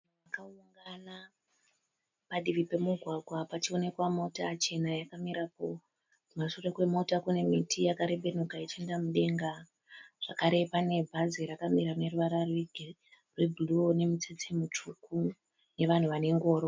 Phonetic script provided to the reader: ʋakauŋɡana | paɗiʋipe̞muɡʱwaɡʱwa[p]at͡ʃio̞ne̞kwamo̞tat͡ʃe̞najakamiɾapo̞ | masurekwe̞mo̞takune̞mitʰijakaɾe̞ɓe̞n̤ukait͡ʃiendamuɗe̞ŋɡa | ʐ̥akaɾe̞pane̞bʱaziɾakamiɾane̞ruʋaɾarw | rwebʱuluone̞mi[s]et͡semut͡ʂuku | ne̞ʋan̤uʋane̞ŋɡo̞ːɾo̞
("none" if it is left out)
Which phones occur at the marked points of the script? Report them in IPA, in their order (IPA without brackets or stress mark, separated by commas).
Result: p, t͡s